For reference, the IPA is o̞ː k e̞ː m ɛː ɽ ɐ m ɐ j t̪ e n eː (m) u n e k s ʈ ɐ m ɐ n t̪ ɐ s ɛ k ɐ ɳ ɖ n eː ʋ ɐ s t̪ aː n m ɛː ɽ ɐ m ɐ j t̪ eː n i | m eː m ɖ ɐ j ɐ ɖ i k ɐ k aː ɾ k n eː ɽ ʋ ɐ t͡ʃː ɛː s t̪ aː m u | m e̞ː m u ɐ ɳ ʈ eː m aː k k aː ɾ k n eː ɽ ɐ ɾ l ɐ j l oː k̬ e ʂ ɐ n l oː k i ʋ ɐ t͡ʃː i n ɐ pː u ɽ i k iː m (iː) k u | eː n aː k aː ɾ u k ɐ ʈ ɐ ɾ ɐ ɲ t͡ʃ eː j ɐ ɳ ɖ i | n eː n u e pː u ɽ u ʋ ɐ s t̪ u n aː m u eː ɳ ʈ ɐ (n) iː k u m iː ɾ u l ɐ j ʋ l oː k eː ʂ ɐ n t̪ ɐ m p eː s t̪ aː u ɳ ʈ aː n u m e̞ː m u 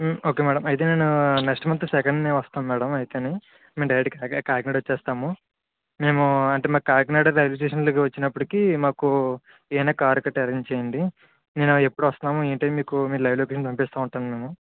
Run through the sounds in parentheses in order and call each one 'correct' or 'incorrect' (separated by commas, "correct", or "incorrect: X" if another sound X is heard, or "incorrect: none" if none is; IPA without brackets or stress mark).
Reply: incorrect: n, incorrect: aː, incorrect: m